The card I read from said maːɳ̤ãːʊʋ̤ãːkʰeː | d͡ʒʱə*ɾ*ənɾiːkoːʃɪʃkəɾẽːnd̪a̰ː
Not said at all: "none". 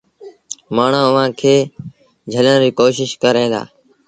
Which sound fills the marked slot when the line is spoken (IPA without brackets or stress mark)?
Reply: l